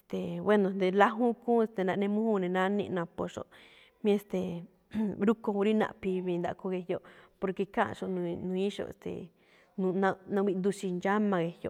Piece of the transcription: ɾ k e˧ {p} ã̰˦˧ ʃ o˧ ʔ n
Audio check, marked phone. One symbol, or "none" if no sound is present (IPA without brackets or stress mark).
k